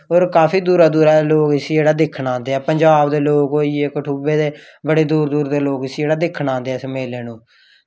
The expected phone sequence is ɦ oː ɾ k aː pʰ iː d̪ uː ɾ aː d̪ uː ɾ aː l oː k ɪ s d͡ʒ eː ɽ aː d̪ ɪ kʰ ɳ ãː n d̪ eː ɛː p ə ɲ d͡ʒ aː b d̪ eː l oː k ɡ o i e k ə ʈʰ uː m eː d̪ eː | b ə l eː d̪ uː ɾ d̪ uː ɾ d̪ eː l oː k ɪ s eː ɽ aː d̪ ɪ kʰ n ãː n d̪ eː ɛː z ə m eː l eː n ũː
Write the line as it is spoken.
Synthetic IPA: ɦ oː ɾ k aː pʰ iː d̪ uː ɾ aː d̪ uː ɾ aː l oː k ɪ s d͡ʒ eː ɽ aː d̪ ɪ kʰ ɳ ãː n d̪ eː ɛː p ə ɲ d͡ʒ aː b d̪ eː l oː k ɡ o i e k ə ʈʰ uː b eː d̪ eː | b ə ɽ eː d̪ uː ɾ d̪ uː ɾ d̪ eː l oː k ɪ s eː ɽ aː d̪ ɪ kʰ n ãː n d̪ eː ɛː s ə m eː l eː n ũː